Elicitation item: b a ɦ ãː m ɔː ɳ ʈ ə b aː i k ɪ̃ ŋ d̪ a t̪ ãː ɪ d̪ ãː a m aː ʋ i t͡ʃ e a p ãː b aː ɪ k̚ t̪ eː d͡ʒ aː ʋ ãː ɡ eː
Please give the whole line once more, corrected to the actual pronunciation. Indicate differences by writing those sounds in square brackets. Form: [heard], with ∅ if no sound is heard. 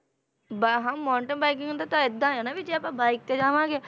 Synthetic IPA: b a ɦ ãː m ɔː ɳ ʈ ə b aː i k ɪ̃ ŋ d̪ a t̪ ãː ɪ d̪ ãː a [n] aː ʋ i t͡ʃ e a p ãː b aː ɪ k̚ t̪ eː d͡ʒ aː ʋ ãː ɡ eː